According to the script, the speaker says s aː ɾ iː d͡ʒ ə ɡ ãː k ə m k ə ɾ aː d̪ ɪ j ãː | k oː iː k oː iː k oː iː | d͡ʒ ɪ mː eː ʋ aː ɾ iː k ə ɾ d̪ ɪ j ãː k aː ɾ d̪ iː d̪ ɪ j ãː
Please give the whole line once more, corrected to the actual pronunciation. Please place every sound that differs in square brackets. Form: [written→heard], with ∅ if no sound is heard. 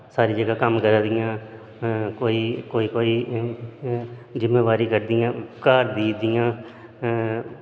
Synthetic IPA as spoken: s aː ɾ iː d͡ʒ ə ɡ [ãː→aː] k ə m k ə ɾ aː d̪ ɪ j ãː | k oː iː k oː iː k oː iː | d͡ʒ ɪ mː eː ʋ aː ɾ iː k ə ɾ d̪ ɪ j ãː k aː ɾ d̪ iː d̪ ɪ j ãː